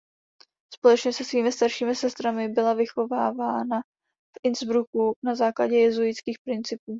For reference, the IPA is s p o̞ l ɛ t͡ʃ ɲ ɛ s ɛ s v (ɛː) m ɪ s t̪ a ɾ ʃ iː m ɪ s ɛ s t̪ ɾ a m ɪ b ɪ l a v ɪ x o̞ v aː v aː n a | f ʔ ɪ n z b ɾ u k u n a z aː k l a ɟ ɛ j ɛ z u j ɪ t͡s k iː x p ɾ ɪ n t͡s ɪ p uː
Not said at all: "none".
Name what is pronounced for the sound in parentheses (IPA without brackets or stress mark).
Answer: iː